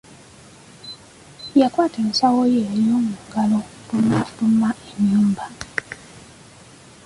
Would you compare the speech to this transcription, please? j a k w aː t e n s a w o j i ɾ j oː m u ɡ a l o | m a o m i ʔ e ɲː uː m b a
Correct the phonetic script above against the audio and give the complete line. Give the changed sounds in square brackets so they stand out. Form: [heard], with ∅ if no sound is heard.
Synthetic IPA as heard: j a k w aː t e n s a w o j [e] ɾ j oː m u ɡ a l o | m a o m [a] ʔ e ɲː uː m b a